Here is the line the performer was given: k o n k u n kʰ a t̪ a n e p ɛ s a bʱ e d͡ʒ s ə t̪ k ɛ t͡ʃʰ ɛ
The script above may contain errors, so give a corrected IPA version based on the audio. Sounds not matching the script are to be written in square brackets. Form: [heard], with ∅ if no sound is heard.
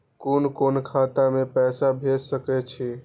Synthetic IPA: k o n k [o] n kʰ a t̪ a [m] e p ɛ s a bʱ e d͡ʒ s ə [∅] k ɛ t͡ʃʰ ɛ